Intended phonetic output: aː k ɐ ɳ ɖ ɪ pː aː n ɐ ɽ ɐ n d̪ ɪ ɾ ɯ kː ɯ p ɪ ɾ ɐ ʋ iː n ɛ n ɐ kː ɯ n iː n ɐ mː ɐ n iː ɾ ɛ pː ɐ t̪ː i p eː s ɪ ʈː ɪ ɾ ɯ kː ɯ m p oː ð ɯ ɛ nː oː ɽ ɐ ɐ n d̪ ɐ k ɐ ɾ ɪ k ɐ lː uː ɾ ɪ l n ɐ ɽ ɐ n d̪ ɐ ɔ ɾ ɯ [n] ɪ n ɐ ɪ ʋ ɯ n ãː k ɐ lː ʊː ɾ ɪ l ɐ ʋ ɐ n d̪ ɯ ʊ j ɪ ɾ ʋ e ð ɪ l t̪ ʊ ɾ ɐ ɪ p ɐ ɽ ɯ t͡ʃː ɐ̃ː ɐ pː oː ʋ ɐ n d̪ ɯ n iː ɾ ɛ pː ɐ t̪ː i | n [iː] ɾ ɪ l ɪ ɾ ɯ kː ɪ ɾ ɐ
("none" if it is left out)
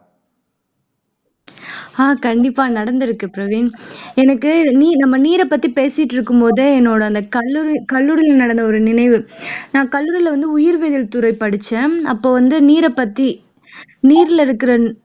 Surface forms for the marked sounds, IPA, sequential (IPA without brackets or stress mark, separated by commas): n, iː